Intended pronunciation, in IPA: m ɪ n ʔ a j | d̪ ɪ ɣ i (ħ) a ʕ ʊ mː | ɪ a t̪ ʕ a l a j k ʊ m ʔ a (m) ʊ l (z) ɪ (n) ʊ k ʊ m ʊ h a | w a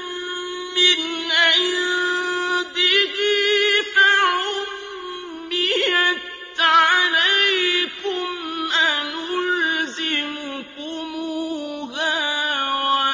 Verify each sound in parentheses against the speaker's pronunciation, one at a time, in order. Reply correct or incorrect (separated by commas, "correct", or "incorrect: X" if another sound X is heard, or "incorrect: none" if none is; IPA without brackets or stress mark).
incorrect: f, incorrect: n, correct, incorrect: m